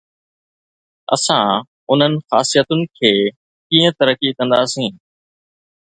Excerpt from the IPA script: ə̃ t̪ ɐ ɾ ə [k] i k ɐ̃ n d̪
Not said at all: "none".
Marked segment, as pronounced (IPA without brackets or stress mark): k